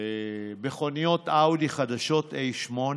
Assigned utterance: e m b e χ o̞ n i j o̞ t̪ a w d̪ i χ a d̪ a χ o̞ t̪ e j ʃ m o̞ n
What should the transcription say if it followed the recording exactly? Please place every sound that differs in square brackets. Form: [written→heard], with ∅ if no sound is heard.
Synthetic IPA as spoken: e [m→∅] b e χ o̞ n i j o̞ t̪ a w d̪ i χ a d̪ a [χ→ʃ] o̞ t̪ e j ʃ m o̞ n

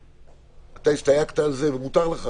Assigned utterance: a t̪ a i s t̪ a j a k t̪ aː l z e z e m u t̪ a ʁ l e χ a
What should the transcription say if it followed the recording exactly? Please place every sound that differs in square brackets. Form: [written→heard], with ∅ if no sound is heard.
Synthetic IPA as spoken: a t̪ a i s t̪ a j a k t̪ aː l z e [z→v] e m u t̪ a ʁ l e χ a

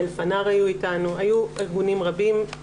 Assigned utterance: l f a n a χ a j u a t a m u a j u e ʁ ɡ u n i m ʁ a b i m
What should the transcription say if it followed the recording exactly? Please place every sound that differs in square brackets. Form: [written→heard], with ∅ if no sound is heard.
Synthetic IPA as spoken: l f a n a [χ→ʁ] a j u [a→i] t a [m→n] u a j u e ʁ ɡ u n i m ʁ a b i m

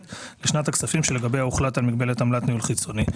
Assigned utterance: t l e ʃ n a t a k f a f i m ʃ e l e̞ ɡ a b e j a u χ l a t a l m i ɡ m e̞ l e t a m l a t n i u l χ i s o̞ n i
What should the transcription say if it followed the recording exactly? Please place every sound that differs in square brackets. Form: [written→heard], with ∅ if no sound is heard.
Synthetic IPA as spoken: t l e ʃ n a t a k [f→s] a f i m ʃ e l e̞ ɡ a b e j a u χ l a t a l m i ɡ [m→b] e̞ l e t a m l a t n i u l χ i [s→t͡s] o̞ n i

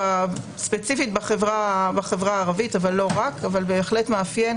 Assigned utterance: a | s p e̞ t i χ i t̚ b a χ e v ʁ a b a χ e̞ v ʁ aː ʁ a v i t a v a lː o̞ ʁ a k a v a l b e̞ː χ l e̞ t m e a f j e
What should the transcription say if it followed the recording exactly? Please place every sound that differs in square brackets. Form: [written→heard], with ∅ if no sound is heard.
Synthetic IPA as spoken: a | s p e̞ [t→t͡s] i [χ→f] i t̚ b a χ e v ʁ a b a χ e̞ v ʁ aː ʁ a v i t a v a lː o̞ ʁ a k a v a l b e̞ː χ l e̞ t m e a f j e

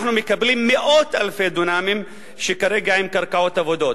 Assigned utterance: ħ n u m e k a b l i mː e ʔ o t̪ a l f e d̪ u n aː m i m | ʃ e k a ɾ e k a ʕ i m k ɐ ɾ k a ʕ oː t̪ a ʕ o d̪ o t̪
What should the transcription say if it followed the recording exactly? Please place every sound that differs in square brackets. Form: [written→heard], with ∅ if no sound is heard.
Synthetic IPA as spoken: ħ n u m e k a b l i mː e ʔ o t̪ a l f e d̪ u n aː m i m | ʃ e k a ɾ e [k→ɡ] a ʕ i m k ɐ ɾ k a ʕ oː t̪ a [ʕ→v] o d̪ o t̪

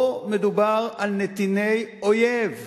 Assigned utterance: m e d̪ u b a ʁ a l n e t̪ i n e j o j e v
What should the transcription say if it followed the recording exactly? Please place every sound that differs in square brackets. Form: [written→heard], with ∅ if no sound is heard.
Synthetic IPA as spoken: m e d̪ u b a ʁ a l n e t̪ i n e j o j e v

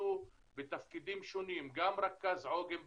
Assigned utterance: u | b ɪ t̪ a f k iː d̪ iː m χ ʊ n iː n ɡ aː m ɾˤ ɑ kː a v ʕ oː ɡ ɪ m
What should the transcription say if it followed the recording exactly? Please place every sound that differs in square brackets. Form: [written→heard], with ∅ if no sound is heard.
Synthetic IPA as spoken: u | b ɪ t̪ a f k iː d̪ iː m [χ→ʃ] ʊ n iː [n→m] ɡ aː m ɾˤ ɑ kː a [v→z] ʕ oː ɡ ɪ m

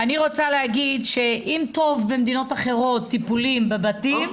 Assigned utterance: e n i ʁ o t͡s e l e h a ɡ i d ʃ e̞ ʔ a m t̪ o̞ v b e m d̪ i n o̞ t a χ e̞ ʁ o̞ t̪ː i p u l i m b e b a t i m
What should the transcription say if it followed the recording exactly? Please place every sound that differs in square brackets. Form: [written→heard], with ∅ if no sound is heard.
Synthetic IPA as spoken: [e→a] n i ʁ o t͡s [e→a] l e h a ɡ i d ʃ e̞ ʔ [a→i] m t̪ o̞ v b e m d̪ i n o̞ t a χ e̞ ʁ o̞ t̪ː i p u l i m b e b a t i m

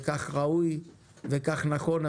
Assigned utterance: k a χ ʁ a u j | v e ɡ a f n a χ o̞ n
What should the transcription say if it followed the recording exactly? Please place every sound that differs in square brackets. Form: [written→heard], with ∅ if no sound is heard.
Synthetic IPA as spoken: k a χ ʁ a u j | v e [ɡ→k] a [f→χ] n a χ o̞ n

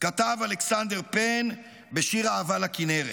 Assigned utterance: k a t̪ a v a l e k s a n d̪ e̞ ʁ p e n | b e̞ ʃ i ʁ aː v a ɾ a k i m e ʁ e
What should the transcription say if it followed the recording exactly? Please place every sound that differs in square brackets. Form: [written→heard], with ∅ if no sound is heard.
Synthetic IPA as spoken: k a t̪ a v a l e k s a n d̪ e̞ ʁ p e n | b e̞ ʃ i ʁ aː v a [ɾ→l] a k i [m→n] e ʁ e

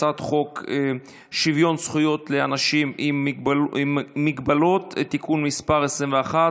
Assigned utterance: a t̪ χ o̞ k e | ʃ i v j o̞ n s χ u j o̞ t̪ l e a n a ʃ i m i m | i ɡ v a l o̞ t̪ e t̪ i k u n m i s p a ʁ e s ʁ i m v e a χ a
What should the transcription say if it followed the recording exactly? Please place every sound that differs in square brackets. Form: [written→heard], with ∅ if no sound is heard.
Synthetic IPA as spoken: a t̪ χ o̞ k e | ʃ i v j o̞ n s χ u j o̞ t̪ l e a n a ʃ i m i m | i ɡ [v→b] a l o̞ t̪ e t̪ i k u n m i s p a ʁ e s ʁ i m v e a χ a

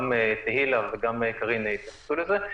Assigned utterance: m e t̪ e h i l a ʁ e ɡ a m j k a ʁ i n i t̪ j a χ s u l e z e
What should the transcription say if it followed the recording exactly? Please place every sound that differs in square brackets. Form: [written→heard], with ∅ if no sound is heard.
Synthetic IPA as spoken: m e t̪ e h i l a [ʁ→v] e ɡ a m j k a ʁ i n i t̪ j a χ s u l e z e

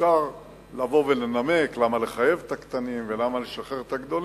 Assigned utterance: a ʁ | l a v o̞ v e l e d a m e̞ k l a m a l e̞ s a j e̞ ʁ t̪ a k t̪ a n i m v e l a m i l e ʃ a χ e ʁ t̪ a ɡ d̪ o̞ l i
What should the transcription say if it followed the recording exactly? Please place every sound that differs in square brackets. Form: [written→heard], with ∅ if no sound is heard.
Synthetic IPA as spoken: a ʁ | l a v o̞ v e l e [d→n] a m e̞ k l a m a l e̞ [s→χ] a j e̞ [ʁ→v] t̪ a k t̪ a n i m v e l a m [i→a] l e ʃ a χ e ʁ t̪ a ɡ d̪ o̞ l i

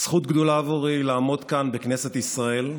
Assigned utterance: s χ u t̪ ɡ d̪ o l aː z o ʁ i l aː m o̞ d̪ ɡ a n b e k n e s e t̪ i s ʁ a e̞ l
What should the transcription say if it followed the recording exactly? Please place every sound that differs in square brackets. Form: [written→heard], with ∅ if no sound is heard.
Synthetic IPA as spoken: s χ u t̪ ɡ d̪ o l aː [z→v] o ʁ i l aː m o̞ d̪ [ɡ→k] a n b e k n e s e t̪ i s ʁ a e̞ l

